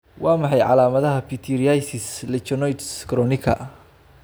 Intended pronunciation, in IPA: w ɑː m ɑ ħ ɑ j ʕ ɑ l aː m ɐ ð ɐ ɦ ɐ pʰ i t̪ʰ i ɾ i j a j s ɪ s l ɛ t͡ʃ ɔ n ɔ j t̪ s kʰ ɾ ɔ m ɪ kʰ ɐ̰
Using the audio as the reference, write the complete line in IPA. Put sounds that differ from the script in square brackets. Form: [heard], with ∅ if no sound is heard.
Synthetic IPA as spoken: w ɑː m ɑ ħ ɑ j ʕ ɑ l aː m ɐ ð ɐ ɦ ɐ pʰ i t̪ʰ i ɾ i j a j s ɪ s l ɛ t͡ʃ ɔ n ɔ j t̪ s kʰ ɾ ɔ [n] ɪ kʰ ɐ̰